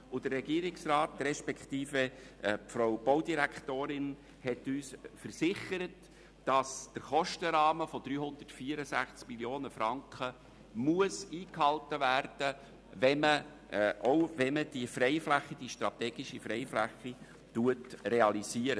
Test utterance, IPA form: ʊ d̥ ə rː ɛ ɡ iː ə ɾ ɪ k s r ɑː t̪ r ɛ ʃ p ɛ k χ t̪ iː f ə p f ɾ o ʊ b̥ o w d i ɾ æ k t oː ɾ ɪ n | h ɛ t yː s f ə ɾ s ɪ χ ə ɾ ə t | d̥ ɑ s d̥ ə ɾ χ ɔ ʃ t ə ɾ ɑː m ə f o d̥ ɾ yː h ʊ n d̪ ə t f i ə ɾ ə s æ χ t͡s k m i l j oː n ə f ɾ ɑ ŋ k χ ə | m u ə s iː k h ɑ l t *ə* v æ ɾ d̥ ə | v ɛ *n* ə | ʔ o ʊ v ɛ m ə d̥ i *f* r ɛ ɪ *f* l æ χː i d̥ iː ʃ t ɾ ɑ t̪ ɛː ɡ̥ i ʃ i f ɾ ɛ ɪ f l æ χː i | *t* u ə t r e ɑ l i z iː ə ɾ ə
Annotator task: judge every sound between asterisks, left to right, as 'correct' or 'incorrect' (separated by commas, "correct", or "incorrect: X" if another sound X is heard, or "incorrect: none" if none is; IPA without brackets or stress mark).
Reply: correct, incorrect: m, correct, correct, correct